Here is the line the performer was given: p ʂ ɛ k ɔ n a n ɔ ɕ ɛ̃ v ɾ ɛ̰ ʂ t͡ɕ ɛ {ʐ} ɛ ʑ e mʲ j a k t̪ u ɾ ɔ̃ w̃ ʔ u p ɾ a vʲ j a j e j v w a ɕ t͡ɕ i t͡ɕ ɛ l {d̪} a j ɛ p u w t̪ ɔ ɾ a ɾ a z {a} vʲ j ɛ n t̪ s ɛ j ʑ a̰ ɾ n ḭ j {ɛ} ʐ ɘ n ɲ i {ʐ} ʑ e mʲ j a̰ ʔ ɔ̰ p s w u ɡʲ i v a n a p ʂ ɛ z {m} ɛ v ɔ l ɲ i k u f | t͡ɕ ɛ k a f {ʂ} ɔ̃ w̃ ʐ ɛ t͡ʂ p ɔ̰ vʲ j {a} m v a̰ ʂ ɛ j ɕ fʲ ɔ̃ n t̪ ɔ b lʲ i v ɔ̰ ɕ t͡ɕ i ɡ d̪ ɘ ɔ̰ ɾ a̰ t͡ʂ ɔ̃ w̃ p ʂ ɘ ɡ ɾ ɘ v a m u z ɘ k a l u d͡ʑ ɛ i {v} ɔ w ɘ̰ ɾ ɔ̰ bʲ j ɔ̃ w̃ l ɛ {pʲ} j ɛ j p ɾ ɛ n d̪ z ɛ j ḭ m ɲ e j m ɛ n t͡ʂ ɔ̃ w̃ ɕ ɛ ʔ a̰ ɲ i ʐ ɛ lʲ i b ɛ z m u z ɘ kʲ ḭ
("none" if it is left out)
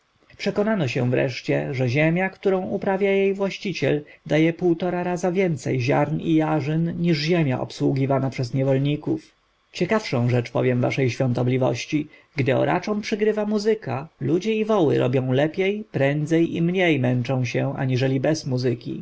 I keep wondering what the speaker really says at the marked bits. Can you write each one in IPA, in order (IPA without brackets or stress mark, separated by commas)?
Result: ʐ, d̪, a, a, ʐ, ɲ, ʂ, ɛ, v, pʲ